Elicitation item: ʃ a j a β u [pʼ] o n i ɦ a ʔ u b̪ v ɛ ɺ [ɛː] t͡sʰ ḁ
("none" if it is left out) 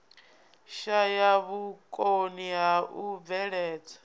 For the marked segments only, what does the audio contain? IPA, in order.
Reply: kʼ, ɛː

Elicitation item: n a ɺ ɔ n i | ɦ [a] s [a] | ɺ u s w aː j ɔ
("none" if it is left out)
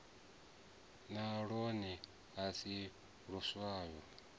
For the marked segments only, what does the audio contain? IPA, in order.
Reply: a, i

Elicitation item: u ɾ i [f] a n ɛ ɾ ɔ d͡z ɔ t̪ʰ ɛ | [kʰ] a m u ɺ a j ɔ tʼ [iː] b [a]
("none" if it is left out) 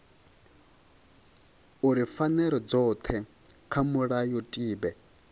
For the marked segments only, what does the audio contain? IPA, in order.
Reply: f, kʰ, iː, ɛ

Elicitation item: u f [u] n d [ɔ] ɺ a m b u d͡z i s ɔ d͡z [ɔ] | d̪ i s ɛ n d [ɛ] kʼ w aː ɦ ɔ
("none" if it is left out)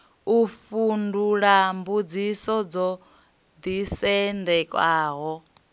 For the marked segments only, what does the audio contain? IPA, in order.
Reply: u, u, ɔ, ɛ

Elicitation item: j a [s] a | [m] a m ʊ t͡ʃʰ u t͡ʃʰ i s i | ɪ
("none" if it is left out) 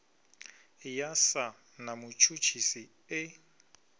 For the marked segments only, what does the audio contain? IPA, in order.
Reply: s, n

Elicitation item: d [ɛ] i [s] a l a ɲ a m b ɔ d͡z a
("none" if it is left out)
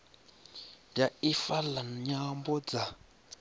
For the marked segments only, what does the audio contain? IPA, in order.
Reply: a, f

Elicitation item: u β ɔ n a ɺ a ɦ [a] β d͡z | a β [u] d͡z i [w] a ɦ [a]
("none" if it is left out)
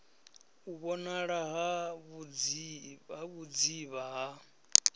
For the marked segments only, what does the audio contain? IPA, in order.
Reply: a, u, β, a

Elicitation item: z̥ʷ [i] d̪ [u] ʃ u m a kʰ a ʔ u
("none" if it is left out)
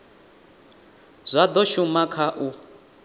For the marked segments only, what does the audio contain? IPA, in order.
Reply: a, ɔ

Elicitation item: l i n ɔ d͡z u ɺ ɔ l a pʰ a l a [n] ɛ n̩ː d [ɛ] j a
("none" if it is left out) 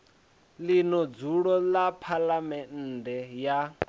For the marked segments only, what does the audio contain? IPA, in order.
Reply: m, ɛ

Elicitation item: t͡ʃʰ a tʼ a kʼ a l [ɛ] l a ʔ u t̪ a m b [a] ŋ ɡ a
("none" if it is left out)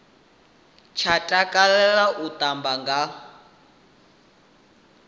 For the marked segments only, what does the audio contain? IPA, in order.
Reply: ɛ, a

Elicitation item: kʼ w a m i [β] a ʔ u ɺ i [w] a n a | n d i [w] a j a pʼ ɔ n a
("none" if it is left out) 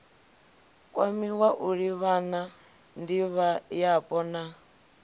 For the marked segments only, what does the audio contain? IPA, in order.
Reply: w, β, β

